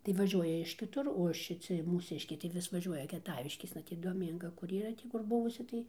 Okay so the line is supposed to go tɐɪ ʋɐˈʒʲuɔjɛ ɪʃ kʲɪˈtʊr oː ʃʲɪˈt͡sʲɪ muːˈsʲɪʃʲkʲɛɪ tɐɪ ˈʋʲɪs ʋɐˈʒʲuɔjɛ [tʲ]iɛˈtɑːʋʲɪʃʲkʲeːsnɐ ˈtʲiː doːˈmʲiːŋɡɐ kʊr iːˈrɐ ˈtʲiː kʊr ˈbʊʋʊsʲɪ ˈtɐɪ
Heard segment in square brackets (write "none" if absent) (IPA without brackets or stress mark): kʲ